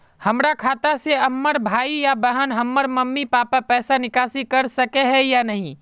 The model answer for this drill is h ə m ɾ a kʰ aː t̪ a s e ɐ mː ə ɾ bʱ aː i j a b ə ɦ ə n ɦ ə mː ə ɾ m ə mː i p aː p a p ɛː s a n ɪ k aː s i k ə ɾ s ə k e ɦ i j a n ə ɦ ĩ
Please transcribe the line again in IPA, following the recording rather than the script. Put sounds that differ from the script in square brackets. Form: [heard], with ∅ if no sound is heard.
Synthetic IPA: h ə m ɾ a kʰ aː t̪ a s e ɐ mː ə ɾ bʱ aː i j a b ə ɦ ə n ɦ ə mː ə ɾ m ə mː i p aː p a p ɛː s a n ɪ k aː s i k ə ɾ s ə k e ɦ [ɛ] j a n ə ɦ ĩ